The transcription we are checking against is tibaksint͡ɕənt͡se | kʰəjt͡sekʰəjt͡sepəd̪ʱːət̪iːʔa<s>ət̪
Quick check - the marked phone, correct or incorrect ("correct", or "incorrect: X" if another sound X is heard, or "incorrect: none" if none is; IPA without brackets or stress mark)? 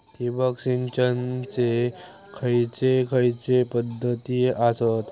correct